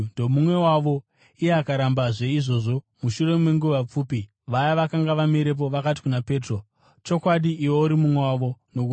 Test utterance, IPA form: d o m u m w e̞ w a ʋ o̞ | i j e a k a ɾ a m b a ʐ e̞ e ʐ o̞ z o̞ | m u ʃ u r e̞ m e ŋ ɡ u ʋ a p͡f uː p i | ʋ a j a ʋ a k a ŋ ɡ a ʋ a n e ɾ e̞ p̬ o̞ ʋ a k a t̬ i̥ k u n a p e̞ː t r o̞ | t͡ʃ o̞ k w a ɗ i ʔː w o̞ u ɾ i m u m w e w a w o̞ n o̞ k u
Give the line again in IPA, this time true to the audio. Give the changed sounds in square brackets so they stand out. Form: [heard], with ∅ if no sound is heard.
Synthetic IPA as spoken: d o m u m w e̞ w a ʋ o̞ | i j e a k a ɾ a m b a ʐ e̞ [i] ʐ o̞ [ʐ] o̞ | m u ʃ u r e̞ m e ŋ ɡ u ʋ a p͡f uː p i | ʋ a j a ʋ a k a ŋ ɡ a ʋ a [m] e ɾ e̞ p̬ o̞ ʋ a k a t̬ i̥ k u n a p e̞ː t r o̞ | t͡ʃ o̞ k w a ɗ i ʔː w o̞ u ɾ i m u m w e w a [ʋ] o̞ n o̞ k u